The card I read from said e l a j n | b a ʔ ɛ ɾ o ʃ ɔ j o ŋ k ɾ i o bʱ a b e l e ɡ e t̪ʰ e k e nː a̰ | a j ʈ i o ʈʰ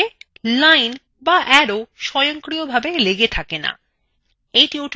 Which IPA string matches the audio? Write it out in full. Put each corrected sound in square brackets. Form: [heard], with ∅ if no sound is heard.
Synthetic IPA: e l a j n | b a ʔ ɛ ɾ o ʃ ɔ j o ŋ k ɾ i o bʱ a b e l e ɡ e t̪ʰ [a] k e [n] a̰ | [e] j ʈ i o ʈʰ